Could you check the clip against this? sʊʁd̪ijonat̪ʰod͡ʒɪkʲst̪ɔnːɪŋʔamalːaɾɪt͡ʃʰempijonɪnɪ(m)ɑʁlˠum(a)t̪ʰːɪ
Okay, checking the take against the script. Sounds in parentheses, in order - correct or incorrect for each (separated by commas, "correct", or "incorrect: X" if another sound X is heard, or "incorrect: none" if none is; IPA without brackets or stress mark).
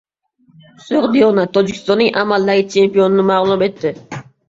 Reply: correct, incorrect: e